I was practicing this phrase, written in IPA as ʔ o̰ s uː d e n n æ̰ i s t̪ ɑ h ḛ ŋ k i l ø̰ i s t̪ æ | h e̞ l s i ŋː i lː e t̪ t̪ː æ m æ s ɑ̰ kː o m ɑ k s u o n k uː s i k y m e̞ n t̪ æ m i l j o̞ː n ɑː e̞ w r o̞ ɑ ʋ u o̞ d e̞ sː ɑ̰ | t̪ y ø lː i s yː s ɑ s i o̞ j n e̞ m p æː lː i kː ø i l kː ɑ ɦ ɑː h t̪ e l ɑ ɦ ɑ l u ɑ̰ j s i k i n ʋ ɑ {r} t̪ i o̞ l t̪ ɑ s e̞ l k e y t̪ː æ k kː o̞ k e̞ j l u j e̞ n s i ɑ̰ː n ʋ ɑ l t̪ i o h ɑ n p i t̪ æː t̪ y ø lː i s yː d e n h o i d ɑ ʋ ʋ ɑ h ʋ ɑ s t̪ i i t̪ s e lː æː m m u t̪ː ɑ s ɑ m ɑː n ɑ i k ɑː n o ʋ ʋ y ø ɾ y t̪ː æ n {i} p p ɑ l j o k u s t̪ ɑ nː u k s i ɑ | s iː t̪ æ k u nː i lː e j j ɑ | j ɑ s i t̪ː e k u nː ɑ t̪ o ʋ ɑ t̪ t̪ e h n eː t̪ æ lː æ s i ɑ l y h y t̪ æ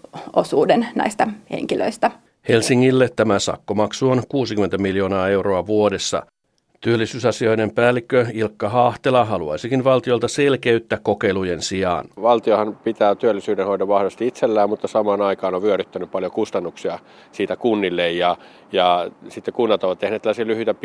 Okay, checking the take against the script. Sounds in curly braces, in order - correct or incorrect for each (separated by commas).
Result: incorrect, incorrect